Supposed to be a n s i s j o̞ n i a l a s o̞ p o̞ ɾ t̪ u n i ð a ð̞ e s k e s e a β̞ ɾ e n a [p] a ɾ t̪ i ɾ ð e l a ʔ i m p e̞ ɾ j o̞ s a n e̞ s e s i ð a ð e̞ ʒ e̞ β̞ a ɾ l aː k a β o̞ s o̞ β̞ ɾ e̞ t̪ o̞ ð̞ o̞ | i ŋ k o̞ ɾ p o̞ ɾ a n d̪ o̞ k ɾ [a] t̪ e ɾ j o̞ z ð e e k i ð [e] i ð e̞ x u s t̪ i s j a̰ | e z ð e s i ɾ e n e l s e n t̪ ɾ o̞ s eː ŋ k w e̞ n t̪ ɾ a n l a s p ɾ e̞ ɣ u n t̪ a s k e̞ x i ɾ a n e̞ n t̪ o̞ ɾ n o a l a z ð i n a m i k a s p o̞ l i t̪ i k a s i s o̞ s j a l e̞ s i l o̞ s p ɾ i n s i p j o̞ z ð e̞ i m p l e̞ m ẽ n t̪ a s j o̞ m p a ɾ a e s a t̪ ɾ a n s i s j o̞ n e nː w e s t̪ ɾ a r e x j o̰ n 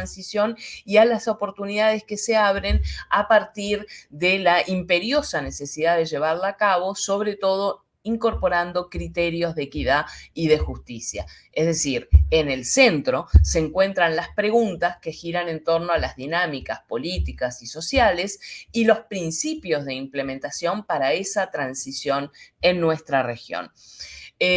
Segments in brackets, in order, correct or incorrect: correct, incorrect, incorrect

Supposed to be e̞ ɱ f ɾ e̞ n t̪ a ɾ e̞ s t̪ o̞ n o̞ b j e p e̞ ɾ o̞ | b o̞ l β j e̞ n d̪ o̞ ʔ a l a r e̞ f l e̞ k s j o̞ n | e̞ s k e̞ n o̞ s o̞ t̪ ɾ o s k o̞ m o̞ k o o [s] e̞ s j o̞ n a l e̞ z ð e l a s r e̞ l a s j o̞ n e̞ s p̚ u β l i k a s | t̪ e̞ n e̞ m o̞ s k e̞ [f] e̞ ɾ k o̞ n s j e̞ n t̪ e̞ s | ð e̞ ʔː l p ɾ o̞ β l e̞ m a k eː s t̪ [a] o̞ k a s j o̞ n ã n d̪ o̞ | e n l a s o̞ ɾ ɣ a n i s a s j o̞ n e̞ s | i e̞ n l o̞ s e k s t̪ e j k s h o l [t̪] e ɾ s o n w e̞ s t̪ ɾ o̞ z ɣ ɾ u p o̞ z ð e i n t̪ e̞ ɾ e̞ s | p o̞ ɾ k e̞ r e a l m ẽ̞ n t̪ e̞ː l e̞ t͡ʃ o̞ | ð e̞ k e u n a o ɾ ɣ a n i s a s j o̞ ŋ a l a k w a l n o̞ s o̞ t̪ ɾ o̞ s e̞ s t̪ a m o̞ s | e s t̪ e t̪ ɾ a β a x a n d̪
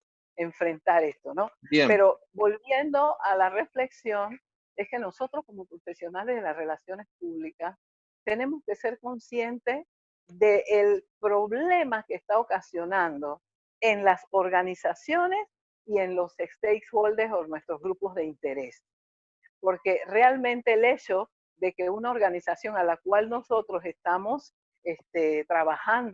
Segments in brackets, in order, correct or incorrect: incorrect, incorrect, correct, incorrect

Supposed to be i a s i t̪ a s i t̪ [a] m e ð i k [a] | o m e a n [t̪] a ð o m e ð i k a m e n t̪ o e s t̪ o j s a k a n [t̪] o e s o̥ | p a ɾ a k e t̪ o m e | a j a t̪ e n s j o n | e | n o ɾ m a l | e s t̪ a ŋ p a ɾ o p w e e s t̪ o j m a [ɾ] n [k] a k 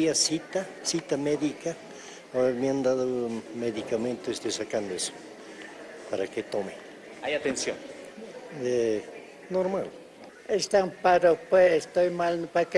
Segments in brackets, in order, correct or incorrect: correct, correct, incorrect, incorrect, incorrect, incorrect

